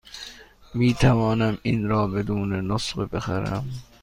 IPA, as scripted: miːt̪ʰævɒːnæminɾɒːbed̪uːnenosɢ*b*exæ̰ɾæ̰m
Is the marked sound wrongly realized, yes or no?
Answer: no